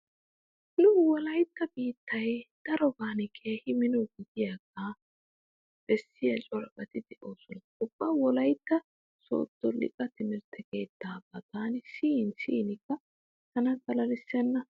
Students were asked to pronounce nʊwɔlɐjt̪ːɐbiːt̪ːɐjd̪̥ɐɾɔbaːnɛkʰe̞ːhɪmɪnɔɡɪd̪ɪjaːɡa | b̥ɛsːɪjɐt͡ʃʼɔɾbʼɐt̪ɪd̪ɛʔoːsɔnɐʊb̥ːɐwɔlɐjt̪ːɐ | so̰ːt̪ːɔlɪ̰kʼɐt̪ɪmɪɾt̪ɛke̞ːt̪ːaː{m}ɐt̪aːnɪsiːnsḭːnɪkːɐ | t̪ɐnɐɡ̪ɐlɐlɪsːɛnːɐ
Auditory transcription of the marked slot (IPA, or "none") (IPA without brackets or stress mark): b